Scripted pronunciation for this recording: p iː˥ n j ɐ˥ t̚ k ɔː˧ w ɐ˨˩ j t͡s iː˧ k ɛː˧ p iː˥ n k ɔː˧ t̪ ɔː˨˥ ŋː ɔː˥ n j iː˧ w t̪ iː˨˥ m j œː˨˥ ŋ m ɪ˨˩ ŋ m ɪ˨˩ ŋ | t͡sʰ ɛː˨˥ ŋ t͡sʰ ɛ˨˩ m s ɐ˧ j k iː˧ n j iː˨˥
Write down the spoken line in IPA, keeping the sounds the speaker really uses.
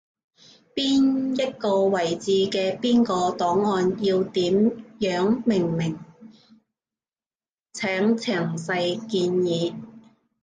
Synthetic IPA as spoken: p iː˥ n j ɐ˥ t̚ k ɔː˧ w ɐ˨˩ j t͡s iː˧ k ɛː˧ p iː˥ n k ɔː˧ t̪ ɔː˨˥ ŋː ɔː˧ n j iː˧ w t̪ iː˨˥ m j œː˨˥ ŋ m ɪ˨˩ ŋ m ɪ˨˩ ŋ | t͡sʰ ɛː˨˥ ŋ t͡sʰ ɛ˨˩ ŋ s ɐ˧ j k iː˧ n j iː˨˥